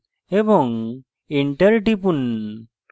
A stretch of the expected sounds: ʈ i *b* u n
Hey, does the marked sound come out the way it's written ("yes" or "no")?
no